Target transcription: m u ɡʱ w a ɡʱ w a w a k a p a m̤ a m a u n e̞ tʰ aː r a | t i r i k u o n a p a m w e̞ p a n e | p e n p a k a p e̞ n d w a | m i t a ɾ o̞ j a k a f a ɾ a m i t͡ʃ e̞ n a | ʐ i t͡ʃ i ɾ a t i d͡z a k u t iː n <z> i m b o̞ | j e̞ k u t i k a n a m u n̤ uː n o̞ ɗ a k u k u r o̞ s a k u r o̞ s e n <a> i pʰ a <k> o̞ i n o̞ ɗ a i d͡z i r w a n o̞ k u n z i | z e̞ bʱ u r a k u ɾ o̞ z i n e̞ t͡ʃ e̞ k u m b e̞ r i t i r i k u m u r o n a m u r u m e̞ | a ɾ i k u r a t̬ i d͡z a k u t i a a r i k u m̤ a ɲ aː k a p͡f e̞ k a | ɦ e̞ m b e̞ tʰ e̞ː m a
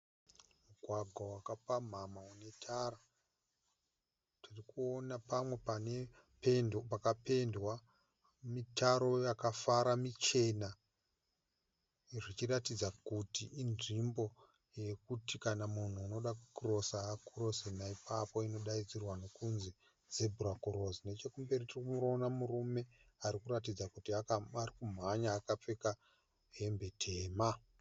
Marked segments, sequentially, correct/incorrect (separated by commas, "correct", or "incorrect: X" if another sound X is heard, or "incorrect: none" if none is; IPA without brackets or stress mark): incorrect: ʐ, correct, incorrect: p